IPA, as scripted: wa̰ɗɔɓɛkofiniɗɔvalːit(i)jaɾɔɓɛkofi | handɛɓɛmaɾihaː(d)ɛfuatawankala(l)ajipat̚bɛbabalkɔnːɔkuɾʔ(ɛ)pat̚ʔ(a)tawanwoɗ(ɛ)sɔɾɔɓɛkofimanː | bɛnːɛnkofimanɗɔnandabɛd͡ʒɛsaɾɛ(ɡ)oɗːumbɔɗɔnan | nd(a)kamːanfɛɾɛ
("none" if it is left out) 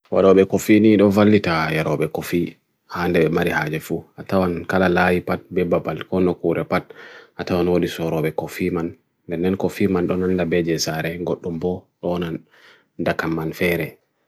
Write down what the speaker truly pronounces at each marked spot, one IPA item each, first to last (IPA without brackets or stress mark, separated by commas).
a, d͡ʒ, l, ɛ, a, i, ɡ, a